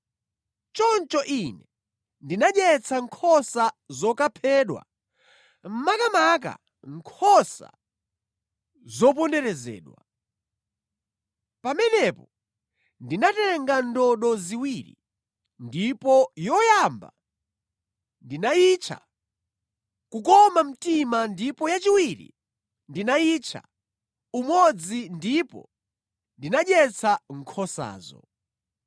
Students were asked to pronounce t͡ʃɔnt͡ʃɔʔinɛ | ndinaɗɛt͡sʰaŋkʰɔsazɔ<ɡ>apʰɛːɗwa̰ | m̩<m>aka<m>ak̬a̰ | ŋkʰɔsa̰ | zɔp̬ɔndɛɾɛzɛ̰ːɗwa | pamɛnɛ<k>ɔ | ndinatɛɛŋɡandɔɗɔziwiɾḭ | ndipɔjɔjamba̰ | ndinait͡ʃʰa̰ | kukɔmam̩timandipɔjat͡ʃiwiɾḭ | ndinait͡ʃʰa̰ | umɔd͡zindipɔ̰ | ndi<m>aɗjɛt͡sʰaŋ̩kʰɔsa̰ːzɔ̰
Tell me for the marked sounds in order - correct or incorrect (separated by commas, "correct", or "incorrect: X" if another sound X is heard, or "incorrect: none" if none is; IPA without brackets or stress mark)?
incorrect: k, correct, correct, incorrect: p, incorrect: n